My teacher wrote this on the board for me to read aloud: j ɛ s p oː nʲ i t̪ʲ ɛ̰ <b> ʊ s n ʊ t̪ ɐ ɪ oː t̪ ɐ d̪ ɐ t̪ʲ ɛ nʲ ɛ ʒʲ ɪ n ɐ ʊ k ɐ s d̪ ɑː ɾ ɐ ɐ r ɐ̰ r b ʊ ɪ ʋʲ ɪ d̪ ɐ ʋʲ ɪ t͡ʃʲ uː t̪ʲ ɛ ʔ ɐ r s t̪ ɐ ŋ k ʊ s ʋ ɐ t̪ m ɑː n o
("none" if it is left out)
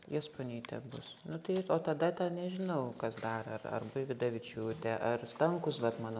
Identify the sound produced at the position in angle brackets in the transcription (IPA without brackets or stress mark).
b